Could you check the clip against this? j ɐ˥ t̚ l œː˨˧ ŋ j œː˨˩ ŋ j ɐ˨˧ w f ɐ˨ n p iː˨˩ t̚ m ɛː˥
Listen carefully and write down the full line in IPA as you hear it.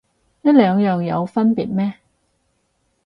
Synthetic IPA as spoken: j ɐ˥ t̚ l œː˨˧ ŋ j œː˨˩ ŋ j ɐ˨˧ w f ɐ˥ n p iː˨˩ t̚ m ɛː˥